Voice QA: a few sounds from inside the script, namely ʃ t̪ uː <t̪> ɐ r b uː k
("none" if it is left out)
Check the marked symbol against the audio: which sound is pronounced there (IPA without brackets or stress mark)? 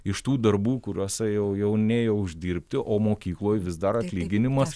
d̪